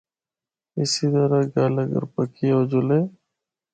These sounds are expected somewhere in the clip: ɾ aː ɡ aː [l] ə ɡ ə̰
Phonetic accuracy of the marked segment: correct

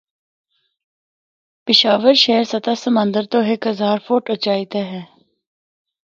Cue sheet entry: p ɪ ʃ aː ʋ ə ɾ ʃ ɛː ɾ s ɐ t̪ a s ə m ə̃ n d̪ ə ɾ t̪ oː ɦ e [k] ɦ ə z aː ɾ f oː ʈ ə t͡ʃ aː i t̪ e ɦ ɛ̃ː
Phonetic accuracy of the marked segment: correct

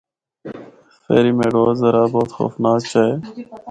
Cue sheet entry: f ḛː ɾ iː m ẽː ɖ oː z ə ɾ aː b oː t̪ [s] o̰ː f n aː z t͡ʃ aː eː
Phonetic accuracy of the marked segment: incorrect: x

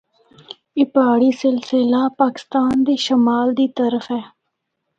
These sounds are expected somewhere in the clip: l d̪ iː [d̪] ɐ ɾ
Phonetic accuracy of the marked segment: incorrect: t̪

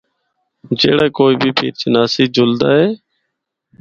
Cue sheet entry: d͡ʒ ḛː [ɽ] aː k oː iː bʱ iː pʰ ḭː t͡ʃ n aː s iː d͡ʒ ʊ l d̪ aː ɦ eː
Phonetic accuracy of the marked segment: correct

